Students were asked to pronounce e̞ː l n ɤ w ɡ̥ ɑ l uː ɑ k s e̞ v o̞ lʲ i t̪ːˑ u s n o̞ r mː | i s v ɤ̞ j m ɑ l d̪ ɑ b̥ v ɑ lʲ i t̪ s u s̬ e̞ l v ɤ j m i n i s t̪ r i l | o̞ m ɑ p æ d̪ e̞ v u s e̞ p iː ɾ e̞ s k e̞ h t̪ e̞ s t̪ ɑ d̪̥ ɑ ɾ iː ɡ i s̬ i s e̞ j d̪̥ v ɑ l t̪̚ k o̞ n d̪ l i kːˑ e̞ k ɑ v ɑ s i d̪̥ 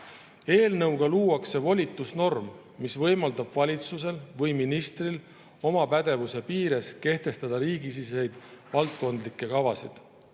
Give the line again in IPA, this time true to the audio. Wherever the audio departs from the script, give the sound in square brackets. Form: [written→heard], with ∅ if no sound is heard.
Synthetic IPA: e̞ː l n ɤ w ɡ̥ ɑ l uː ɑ k s e̞ v o̞ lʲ i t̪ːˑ u s n o̞ r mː | i s v ɤ̞ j m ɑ l d̪ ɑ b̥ v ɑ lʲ i t̪ s u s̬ e̞ l v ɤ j m i n i s t̪ r i l | o̞ m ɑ p æ d̪ e̞ v u s e̞ p iː ɾ e̞ s k e̞ h t̪ e̞ s t̪ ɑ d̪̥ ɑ ɾ iː ɡ i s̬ i s e̞ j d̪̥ v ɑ l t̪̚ k o̞ n d̪ l i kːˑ e̞ k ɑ v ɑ s i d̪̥